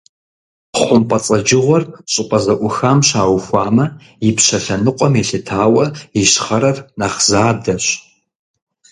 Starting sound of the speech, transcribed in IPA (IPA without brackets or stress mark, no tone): χʷ